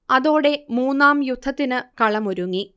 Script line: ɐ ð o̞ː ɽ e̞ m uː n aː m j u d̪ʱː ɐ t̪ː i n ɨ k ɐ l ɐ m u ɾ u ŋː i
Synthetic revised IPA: ɐ ð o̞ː ɽ e̞ m uː nː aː m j u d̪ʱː ɐ t̪ː i n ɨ k ɐ ɭ ɐ m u ɾ u ŋː i